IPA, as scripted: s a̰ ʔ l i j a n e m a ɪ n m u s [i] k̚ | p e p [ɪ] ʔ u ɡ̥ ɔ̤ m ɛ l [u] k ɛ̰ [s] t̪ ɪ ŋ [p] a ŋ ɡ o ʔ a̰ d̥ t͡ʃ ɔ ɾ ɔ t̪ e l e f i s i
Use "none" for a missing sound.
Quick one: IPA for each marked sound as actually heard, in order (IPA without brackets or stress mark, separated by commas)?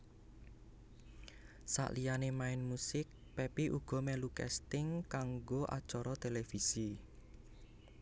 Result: ɪ, i, u, s, k